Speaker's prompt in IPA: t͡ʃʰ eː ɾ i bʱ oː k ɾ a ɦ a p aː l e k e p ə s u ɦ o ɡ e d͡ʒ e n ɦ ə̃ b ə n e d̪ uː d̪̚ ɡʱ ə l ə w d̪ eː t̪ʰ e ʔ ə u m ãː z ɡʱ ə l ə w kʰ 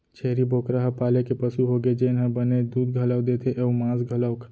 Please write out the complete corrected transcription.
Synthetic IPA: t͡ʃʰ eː ɾ i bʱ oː k ɾ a ɦ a p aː l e k e p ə s u ɦ o ɡ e d͡ʒ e n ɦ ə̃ b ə n e d̪ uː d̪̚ ɡʱ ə l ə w d̪ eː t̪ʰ e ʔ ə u m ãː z ɡʱ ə l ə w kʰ